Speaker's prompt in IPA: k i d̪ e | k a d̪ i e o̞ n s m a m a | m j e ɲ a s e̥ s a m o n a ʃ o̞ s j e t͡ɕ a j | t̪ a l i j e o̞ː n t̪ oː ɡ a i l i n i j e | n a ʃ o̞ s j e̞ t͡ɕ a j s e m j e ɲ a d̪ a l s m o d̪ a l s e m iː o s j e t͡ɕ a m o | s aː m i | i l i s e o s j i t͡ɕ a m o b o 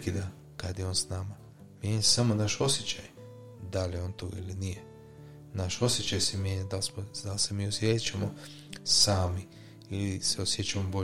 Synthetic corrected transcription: k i d̪ a | k a d̪ j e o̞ n s n a m a | m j e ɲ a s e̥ s a m o n a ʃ o̞ s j e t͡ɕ a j | d̪ a l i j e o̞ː n t̪ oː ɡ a i l i n i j e | n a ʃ o̞ s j e̞ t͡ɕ a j s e m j e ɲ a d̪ a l s m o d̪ a l s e m iː o s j e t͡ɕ a m o | s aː m i | i l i s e o s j e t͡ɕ a m o b o